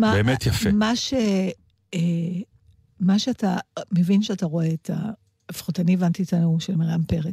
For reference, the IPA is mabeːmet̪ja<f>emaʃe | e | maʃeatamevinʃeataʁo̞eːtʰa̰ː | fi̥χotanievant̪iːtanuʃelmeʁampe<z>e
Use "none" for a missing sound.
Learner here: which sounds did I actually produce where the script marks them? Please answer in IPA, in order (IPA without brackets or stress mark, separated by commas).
f, ʁ